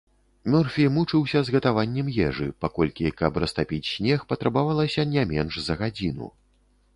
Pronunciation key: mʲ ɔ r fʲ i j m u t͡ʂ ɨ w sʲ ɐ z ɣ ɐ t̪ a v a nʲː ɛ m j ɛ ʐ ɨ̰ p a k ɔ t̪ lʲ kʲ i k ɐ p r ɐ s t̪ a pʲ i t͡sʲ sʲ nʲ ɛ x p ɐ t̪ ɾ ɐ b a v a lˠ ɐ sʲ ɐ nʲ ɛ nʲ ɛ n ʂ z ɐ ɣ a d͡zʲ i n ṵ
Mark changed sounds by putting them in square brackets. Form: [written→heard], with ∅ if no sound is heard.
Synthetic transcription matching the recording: mʲ ɔ r fʲ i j m u t͡ʂ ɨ w sʲ ɐ z ɣ ɐ t̪ a v a nʲː ɛ m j ɛ ʐ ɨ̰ p a k ɔ [t̪→∅] lʲ kʲ i k ɐ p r ɐ s t̪ a pʲ i t͡sʲ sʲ nʲ ɛ x p ɐ t̪ ɾ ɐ b a v a lˠ ɐ sʲ ɐ nʲ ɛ [nʲ→mʲ] ɛ n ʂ z ɐ ɣ a d͡zʲ i n ṵ

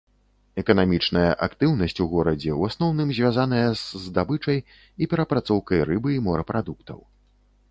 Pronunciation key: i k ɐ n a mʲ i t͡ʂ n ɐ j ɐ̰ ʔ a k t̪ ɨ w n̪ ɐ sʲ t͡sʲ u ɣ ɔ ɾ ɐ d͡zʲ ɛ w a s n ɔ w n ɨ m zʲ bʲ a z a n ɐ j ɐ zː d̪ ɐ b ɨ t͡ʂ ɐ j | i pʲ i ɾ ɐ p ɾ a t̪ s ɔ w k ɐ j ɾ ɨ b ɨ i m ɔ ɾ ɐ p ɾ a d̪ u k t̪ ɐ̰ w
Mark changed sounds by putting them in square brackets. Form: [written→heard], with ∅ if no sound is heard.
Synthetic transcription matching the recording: [i→ɛ] k ɐ n a mʲ i t͡ʂ n ɐ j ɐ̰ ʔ a k t̪ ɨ w n̪ ɐ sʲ t͡sʲ u ɣ ɔ ɾ ɐ d͡zʲ ɛ w a s n ɔ w n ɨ m zʲ [bʲ→vʲ] a z a n ɐ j ɐ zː d̪ [ɐ→a] b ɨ t͡ʂ ɐ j | i pʲ [i→ɛ] ɾ ɐ p ɾ a t̪ s ɔ w k ɐ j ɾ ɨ b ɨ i m ɔ ɾ ɐ p ɾ a d̪ u k t̪ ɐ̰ w

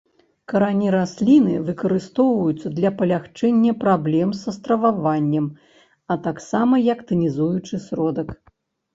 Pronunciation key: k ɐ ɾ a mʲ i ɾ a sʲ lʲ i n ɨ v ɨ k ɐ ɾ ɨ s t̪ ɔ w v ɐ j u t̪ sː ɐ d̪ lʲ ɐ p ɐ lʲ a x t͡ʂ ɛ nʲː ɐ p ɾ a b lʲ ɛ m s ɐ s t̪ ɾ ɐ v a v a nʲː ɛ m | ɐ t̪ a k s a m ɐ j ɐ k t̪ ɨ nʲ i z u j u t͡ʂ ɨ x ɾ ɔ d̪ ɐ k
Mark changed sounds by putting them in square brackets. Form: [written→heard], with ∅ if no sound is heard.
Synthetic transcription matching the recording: k ɐ ɾ a [mʲ→nʲ] i ɾ a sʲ lʲ i n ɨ v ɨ k ɐ ɾ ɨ s t̪ ɔ w v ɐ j u t̪ sː ɐ d̪ lʲ ɐ p ɐ lʲ a x t͡ʂ ɛ nʲː ɐ p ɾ a b lʲ ɛ m s ɐ s t̪ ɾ ɐ v a v a nʲː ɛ m | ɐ t̪ a k s a m ɐ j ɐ k t̪ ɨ nʲ i z u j u t͡ʂ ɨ [x→s] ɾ ɔ d̪ ɐ k

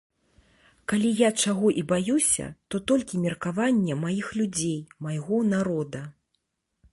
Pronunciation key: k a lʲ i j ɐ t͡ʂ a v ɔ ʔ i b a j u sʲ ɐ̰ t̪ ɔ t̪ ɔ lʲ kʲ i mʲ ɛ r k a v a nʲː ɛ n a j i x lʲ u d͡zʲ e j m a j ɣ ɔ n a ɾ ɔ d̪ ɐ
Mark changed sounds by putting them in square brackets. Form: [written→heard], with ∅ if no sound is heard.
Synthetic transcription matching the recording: k a lʲ i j [ɐ→a] t͡ʂ a [v→ɣ] ɔ ʔ i b a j u sʲ ɐ̰ t̪ ɔ t̪ ɔ lʲ kʲ i mʲ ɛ r k a v a nʲː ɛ [n→m] a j i x lʲ u d͡zʲ e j m a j ɣ ɔ n a ɾ ɔ d̪ ɐ

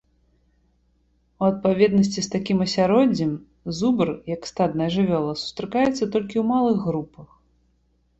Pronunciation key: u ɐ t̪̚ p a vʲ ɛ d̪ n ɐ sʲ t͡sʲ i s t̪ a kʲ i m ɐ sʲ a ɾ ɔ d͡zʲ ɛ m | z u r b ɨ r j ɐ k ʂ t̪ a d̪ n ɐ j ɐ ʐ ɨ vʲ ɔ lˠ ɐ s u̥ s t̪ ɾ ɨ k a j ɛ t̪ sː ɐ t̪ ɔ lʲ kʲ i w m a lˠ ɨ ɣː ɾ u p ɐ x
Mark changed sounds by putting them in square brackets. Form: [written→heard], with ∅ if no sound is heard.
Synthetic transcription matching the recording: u ɐ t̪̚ p a vʲ ɛ d̪ n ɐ sʲ t͡sʲ i s t̪ a kʲ i m ɐ sʲ a ɾ ɔ d͡zʲ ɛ m | z u [r→∅] b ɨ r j ɐ k [ʂ→s] t̪ a d̪ n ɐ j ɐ ʐ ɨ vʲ ɔ lˠ ɐ s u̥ s t̪ ɾ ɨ k a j ɛ t̪ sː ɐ t̪ ɔ lʲ kʲ i w m a lˠ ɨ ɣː ɾ u p ɐ x

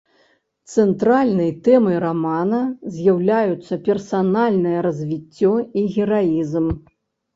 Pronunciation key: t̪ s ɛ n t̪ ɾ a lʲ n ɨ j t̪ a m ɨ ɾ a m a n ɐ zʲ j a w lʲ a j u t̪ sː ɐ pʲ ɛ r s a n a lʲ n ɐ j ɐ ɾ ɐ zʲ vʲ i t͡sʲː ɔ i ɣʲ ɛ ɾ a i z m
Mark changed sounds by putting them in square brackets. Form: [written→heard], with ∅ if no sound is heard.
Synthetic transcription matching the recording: t̪ s ɛ n t̪ ɾ a lʲ n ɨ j t̪ [a→ɛ] m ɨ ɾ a m a n ɐ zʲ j a w lʲ a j u t̪ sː ɐ pʲ ɛ r s a n a lʲ n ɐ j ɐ ɾ ɐ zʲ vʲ i t͡sʲː ɔ i ɣʲ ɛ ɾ a i z m

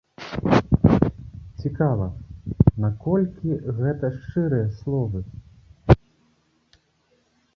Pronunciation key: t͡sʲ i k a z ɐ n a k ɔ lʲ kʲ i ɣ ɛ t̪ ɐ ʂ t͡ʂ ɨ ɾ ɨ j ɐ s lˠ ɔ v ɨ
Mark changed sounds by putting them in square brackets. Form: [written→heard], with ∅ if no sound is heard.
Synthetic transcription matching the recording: t͡sʲ i k a [z→v] ɐ n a k ɔ lʲ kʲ i ɣ ɛ t̪ ɐ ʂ t͡ʂ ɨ ɾ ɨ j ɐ s lˠ ɔ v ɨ

